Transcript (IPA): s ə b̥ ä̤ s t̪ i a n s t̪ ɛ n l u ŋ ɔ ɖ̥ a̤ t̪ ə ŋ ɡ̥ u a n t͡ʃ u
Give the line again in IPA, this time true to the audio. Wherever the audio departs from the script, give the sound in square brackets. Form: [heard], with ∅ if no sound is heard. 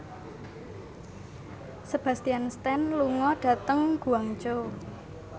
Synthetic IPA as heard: s ə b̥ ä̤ s t̪ i a n s t̪ ɛ n l u ŋ ɔ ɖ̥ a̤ t̪ ə ŋ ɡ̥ u a [ŋ] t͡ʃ [o]